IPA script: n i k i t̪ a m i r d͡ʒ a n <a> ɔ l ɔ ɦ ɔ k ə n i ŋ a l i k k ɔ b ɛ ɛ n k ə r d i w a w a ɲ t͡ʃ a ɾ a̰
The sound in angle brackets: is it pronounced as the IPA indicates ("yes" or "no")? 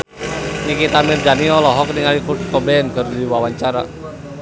no